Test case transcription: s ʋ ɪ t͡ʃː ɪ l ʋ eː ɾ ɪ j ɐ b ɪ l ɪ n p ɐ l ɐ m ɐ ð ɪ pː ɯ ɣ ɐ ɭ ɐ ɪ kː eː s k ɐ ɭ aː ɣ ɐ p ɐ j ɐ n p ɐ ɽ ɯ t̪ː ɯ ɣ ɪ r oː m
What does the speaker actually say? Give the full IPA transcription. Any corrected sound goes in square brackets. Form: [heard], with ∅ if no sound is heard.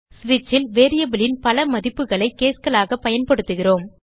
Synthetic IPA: s ʋ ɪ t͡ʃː ɪ l ʋ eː ɾ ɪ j ɐ b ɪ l ɪ n p ɐ l ɐ m ɐ ð ɪ pː ɯ ɣ ɐ ɭ ɐ ɪ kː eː s k ɐ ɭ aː ɣ ɐ p ɐ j ɐ n p ɐ ɽ ɯ t̪ː ɯ ɣ ɪ r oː m